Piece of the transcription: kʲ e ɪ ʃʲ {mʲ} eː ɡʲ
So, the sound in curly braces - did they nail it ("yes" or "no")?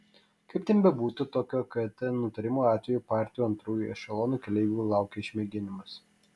yes